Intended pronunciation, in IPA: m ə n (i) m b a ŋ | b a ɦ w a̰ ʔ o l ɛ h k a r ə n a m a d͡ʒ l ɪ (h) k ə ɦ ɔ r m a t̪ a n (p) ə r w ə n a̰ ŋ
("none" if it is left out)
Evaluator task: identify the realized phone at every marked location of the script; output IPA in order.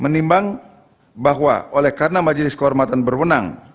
i, s, b

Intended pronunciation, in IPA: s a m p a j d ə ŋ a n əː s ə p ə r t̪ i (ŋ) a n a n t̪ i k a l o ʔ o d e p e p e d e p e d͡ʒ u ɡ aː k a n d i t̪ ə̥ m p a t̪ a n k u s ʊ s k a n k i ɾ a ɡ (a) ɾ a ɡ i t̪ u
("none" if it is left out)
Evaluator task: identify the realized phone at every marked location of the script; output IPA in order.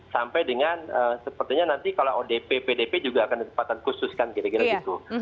ɲ, i

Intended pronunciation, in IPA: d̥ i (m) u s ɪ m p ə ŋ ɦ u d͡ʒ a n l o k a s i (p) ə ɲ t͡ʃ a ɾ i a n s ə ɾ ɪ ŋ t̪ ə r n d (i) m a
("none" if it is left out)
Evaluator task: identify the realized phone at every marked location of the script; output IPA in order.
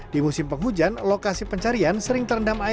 m, p, a

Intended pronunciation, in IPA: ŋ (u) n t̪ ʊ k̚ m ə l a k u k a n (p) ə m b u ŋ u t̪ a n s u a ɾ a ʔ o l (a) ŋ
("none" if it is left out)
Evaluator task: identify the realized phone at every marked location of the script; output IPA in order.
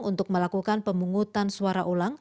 u, p, a

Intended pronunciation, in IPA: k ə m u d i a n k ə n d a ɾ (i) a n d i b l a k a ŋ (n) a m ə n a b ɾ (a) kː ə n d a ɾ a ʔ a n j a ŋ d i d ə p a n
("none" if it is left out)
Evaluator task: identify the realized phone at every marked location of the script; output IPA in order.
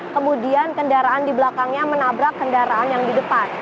a, ɲ, a

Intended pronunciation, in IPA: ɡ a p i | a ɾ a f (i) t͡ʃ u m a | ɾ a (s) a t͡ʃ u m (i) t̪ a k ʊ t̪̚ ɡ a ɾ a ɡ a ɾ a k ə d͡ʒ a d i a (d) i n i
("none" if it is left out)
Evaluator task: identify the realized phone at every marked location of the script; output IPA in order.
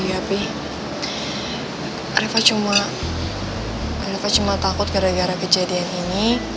a, f, a, n

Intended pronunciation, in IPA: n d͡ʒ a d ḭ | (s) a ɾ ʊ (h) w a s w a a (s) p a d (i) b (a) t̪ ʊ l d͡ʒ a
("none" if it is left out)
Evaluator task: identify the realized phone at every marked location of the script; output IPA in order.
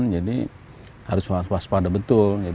h, s, s, a, ə

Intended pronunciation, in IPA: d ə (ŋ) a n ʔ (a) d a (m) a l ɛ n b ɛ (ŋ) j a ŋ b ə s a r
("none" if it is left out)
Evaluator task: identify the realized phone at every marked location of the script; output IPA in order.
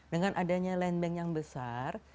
ŋ, a, ɲ, ŋ

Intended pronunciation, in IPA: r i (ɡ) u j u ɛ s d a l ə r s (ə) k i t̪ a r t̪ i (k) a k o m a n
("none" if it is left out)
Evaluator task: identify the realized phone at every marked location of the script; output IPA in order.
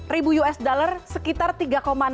b, ə, ɡ

